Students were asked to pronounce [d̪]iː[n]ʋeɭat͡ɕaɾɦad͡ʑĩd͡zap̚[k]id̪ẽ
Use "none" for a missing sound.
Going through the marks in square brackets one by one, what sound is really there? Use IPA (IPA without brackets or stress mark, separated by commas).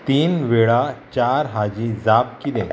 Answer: t̪, n, k